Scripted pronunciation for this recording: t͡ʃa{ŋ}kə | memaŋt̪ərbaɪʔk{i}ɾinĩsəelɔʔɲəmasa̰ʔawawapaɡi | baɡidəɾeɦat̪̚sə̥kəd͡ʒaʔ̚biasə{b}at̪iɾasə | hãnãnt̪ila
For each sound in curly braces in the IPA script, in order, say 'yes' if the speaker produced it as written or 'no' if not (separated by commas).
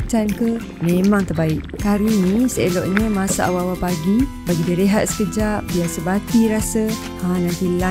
no, no, yes